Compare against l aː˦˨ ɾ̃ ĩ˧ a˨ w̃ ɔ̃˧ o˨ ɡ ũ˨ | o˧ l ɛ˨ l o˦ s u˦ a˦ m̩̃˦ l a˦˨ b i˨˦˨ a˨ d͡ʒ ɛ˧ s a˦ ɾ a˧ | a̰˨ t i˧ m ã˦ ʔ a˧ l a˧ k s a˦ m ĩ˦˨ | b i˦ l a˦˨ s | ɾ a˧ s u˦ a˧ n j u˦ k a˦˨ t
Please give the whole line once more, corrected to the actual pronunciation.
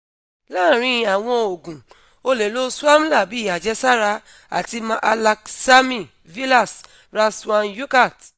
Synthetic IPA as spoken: l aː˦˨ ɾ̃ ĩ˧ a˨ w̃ ɔ̃˧ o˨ ɡ ũ˨ | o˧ l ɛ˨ l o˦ s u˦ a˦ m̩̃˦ l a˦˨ b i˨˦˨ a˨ d͡ʒ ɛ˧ s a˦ ɾ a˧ | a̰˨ t i˧ m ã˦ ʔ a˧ l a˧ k s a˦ m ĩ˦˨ | v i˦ l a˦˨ s | ɾ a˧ s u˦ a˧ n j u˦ k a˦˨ t

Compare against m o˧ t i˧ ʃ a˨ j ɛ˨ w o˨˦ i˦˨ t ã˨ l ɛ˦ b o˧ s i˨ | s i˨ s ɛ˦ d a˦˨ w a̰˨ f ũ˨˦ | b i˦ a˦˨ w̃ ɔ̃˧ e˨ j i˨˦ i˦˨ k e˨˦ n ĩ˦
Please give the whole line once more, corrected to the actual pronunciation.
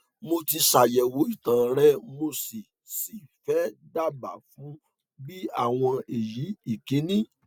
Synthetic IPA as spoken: m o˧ t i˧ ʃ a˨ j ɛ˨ w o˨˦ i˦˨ t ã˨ ɾ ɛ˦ m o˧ s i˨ | s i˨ f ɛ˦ d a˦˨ b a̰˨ f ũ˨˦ | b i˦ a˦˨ w̃ ɔ̃˧ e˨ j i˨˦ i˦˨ k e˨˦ n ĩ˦

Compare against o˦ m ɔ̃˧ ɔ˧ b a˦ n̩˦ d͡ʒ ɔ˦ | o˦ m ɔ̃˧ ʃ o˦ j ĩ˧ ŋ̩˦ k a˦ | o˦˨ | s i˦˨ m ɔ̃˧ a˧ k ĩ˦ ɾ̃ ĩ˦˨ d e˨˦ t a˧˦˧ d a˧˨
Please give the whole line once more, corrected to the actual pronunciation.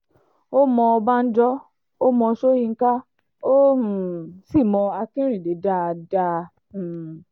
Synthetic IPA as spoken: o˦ m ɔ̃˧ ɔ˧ b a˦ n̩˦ d͡ʒ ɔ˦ | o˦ m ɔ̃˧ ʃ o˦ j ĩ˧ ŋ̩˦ k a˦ | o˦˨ | s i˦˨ m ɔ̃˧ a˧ k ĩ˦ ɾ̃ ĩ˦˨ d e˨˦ d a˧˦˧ d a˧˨

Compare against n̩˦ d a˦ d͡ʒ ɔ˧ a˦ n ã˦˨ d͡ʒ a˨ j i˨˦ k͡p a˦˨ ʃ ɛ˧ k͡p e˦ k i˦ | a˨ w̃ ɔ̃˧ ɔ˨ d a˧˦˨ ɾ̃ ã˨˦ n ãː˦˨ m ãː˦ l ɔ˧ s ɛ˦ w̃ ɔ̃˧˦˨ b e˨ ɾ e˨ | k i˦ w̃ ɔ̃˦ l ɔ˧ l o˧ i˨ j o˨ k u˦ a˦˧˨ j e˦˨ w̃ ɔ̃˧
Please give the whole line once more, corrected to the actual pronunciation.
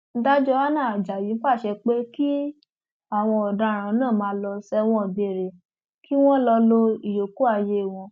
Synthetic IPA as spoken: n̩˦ d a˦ d͡ʒ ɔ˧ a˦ n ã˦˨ d͡ʒ a˨ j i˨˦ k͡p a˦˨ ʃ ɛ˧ k͡p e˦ k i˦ | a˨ w̃ ɔ̃˧ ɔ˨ d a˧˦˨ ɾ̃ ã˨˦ n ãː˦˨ m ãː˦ l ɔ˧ s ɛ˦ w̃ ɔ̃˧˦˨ b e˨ ɾ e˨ | k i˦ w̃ ɔ̃˦ l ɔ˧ l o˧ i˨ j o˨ k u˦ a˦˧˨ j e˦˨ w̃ ɔ̃˧

